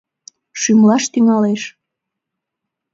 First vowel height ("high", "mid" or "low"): high